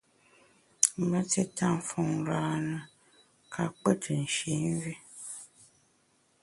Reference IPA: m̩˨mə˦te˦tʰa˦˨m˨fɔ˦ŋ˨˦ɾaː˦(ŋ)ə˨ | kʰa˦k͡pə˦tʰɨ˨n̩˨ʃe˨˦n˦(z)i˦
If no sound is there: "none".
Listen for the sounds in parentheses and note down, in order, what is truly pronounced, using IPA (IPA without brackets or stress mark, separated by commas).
n, v